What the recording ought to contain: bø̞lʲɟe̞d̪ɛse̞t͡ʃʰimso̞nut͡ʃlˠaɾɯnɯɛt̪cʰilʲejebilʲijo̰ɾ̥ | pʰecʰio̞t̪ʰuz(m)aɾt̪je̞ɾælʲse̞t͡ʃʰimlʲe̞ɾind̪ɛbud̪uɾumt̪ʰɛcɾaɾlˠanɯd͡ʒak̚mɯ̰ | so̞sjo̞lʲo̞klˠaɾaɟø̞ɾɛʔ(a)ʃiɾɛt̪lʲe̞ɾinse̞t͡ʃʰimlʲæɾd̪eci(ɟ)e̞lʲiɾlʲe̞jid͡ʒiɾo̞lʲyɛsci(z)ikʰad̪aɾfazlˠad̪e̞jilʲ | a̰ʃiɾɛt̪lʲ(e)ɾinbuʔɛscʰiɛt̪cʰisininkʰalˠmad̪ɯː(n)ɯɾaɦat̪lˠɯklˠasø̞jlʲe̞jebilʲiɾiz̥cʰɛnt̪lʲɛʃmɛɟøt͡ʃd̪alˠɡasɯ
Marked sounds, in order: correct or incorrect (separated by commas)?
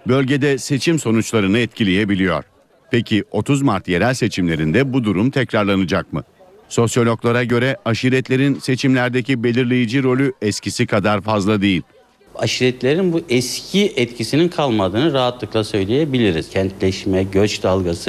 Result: correct, correct, incorrect, incorrect, correct, correct